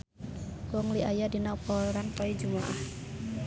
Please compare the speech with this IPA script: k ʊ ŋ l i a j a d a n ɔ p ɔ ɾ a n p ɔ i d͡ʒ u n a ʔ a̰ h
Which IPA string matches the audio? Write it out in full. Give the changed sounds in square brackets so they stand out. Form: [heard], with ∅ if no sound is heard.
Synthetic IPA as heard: k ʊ ŋ l i a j a d [i] n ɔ p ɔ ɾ a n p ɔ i d͡ʒ u [m] a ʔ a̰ h